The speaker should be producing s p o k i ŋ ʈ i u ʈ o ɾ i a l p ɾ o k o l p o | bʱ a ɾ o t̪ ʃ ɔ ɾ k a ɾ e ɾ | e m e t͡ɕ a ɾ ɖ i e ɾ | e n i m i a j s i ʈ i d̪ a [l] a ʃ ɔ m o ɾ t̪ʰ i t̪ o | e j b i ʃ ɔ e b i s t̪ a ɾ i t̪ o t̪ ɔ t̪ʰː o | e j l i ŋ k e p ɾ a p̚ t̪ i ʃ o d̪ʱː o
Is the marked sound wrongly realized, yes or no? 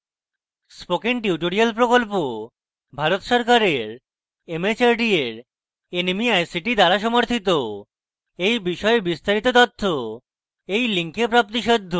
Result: yes